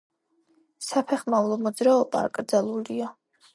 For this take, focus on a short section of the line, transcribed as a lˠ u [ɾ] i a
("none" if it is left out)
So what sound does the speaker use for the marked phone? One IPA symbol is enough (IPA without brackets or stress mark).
l